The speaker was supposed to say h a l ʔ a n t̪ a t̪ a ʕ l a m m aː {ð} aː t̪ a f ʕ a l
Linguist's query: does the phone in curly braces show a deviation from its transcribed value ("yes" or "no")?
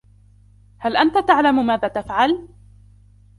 no